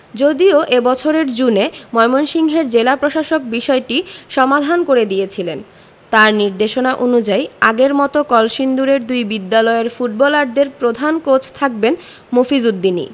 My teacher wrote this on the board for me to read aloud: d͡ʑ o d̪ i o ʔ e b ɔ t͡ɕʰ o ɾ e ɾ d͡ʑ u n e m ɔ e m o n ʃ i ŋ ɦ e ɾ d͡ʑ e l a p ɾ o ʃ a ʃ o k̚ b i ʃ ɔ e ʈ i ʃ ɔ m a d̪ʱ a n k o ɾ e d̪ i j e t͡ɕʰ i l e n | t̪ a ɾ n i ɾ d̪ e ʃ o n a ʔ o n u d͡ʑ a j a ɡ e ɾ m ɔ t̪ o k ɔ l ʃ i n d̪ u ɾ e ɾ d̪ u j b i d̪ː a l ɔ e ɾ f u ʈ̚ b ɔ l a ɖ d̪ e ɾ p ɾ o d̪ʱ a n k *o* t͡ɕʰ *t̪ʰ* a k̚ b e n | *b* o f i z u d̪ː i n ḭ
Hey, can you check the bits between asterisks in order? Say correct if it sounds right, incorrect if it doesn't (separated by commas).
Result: correct, correct, incorrect